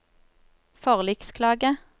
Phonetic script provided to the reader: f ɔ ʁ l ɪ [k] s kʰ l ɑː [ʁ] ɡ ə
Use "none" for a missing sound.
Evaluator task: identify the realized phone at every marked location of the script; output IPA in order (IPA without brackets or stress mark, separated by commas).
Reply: k, none